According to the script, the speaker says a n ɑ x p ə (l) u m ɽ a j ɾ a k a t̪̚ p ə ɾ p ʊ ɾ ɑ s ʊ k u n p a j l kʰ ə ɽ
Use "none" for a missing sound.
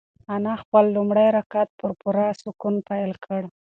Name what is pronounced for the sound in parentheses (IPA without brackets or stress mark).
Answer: lː